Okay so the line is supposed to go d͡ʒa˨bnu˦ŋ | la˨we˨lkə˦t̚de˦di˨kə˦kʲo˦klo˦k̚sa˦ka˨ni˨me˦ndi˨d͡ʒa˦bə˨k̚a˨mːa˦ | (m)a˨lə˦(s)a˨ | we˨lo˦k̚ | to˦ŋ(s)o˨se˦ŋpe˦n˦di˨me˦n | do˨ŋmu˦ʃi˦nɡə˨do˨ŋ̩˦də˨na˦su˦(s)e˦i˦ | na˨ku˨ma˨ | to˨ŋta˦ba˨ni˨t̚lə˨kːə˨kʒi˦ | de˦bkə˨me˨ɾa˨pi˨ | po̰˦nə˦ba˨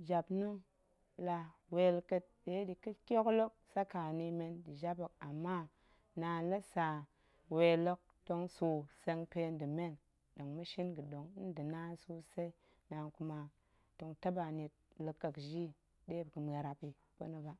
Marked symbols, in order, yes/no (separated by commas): no, yes, yes, yes